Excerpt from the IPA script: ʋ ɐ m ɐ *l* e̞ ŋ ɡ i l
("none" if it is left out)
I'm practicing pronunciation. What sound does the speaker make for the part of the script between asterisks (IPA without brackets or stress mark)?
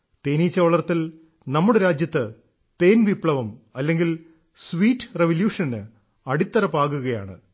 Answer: lː